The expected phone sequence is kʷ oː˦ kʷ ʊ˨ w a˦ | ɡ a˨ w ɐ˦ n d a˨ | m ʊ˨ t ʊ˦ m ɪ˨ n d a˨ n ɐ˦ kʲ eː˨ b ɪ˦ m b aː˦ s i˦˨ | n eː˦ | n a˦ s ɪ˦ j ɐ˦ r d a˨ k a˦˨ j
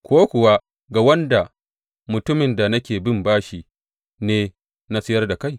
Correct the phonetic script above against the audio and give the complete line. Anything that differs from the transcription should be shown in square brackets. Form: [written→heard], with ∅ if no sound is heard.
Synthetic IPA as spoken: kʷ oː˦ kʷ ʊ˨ w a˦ | ɡ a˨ w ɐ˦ n d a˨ | m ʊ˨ t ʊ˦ m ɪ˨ n d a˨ n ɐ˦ kʲ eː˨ b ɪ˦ m b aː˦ [s→ʃ] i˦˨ | n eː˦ | n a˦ s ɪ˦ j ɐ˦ r d a˨ k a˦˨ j